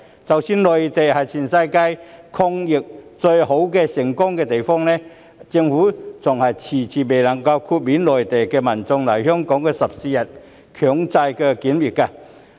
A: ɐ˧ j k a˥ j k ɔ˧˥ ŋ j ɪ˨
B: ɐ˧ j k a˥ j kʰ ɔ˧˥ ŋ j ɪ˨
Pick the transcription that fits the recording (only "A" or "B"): B